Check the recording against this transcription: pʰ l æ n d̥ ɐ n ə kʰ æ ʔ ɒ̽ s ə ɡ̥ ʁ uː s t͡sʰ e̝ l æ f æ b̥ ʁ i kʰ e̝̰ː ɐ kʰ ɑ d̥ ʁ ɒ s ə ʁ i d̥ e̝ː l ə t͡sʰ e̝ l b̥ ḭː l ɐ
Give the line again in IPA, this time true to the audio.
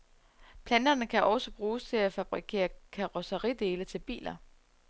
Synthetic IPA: pʰ l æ n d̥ ɐ n ə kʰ æ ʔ ɒ̽ s ə b̥ ʁ uː s t͡sʰ e̝ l æ f æ b̥ ʁ i kʰ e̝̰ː ɐ kʰ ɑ ʁ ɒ s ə ʁ i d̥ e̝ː l ə t͡sʰ e̝ l b̥ ḭː l ɐ

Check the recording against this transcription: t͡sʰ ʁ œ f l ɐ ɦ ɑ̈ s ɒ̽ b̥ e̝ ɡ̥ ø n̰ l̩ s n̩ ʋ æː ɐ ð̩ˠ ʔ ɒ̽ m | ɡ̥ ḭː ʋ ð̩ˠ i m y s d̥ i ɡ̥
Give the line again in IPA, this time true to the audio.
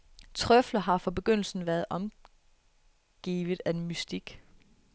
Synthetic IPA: t͡sʰ ʁ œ f l ɐ ɦ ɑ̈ f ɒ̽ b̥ e̝ ɡ̥ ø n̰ l̩ s n̩ ʋ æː ɐ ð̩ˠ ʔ ɒ̽ m | ɡ̥ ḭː ʋ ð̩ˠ æ m y s d̥ i ɡ̥

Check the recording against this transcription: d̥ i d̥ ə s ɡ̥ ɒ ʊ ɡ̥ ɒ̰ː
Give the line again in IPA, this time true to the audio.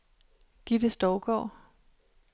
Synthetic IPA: ɡ̥ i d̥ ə s d̥ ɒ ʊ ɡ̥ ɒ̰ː

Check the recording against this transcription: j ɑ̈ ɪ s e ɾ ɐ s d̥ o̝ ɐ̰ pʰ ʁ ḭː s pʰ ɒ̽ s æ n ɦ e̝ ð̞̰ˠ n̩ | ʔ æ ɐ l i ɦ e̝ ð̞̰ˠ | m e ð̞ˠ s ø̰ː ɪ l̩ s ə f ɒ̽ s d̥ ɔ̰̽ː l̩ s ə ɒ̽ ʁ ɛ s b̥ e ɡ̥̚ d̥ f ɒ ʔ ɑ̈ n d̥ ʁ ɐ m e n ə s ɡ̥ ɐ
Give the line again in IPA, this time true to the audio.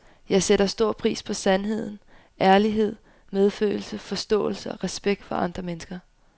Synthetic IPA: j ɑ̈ ɪ s e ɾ ɐ s d̥ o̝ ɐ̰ pʰ ʁ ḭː s pʰ ɒ̽ s æ n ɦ e̝ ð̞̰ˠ n̩ | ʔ æ ɐ l i ɦ e̝ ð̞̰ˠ | m e ð̞ˠ f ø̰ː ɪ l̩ s ə f ɒ̽ s d̥ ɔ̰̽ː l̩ s ə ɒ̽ ʁ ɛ s b̥ e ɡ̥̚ d̥ f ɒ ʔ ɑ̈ n d̥ ʁ ɐ m e n ə s ɡ̥ ɐ

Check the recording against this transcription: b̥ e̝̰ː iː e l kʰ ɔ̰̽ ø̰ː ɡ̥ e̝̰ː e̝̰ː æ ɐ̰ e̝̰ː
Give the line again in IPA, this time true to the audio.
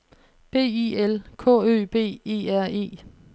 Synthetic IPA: b̥ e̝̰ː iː e l kʰ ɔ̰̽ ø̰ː b̥ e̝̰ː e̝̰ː æ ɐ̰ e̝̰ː

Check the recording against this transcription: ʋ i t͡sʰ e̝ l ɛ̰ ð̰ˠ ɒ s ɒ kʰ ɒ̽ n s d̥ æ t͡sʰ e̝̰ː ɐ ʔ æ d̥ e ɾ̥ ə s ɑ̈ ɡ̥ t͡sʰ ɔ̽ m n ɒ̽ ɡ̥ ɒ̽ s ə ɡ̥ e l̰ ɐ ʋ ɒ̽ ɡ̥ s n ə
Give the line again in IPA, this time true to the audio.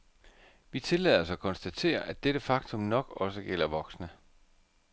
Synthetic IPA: ʋ i t͡sʰ e̝ l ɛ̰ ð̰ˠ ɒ s ɒ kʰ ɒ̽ n s d̥ æ t͡sʰ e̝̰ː ɐ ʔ æ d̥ e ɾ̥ ə f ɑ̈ ɡ̥ t͡sʰ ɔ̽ m n ɒ̽ ɡ̥ ɒ̽ s ə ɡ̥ e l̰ ɐ ʋ ɒ̽ ɡ̥ s n ə

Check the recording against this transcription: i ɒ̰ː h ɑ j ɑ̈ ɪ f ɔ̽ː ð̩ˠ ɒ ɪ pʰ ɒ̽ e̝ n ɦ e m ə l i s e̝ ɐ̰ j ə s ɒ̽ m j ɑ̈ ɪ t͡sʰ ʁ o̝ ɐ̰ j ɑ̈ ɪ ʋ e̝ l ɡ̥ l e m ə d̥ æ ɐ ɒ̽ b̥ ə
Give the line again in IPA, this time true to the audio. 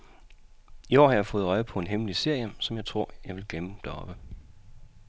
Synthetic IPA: i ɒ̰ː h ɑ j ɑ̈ ɪ f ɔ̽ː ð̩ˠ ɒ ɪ pʰ ɒ̽ e̝ n ɦ e m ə l i s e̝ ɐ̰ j ə s ɒ̽ m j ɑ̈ ɪ t͡sʰ ʁ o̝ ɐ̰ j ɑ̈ ɪ ʋ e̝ l ɡ̥ l e m ə d̥ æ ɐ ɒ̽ b̥ ə

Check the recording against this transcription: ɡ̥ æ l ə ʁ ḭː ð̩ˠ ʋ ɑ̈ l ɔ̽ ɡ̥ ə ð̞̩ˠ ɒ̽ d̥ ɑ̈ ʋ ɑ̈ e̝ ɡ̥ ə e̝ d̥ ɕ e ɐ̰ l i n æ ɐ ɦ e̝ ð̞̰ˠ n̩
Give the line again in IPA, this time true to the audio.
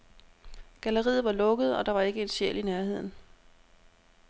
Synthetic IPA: ɡ̥ æ l ə ʁ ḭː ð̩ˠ ʋ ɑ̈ l ɔ̽ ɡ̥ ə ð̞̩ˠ ɒ̽ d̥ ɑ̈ ʋ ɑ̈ e̝ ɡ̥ ə e̝ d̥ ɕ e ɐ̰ l i n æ ɐ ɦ e̝ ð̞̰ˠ n̩

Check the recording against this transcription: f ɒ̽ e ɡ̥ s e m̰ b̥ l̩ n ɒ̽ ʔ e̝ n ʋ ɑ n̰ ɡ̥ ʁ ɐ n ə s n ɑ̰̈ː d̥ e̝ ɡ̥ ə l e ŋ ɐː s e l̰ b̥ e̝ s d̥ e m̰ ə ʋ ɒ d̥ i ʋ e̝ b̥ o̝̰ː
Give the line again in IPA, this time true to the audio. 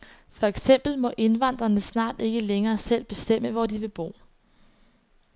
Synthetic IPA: f ɒ̽ e ɡ̥ s e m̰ b̥ l̩ m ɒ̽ ʔ e̝ n ʋ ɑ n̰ d̥ ʁ ɐ n ə s n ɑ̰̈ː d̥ e̝ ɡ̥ ə l e ŋ ɐː s e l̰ b̥ e̝ s d̥ e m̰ ə ʋ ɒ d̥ i ʋ e̝ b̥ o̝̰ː

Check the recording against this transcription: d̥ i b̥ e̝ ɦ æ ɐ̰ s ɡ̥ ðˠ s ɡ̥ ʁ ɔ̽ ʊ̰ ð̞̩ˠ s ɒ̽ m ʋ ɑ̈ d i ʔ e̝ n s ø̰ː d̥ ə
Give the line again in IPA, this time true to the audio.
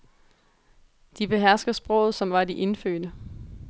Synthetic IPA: d̥ i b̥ e̝ ɦ æ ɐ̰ s ɡ̥ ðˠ s b̥ ʁ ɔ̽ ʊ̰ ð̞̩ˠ s ɒ̽ m ʋ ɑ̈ d i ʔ e̝ n f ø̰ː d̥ ə

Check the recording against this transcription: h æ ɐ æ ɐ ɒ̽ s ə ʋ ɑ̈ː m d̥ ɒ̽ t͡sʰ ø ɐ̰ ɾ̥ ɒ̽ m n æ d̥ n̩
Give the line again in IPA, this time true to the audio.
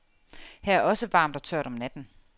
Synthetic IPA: h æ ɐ æ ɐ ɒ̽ s ə ʋ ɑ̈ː m d̥ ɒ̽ t͡sʰ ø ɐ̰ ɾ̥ ɒ̽ m n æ d̥ n̩

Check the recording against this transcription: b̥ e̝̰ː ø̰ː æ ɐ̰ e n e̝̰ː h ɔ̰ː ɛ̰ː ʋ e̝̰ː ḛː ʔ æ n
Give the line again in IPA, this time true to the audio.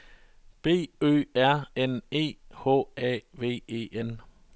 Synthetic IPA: b̥ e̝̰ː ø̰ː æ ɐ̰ e n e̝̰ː h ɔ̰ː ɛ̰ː ʋ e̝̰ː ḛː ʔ e n

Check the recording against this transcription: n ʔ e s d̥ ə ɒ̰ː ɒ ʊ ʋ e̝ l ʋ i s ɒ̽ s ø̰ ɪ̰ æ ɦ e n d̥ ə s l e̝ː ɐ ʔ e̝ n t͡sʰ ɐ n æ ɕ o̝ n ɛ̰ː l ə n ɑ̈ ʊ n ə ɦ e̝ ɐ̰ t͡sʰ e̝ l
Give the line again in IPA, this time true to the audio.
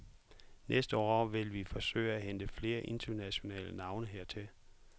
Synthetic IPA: n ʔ e s d̥ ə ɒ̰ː ɒ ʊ ʋ e̝ l ʋ i f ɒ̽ s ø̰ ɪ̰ æ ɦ e n d̥ ə f l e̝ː ɐ ʔ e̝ n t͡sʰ ɐ n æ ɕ o̝ n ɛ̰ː l ə n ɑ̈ ʊ n ə ɦ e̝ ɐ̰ t͡sʰ e̝ l

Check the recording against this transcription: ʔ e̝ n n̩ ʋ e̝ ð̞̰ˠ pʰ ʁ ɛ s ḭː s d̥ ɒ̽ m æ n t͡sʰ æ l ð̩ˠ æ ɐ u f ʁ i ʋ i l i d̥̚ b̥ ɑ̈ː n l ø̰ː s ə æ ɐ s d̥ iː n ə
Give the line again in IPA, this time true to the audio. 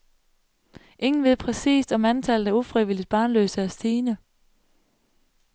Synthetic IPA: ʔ e̝ ŋ n̩ ʋ e̝ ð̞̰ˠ pʰ ʁ ɛ s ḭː s d̥ ɒ̽ m æ n t͡sʰ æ l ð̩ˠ æ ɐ u f ʁ i ʋ i l i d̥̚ b̥ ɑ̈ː n l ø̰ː s ə æ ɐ s d̥ iː n ə

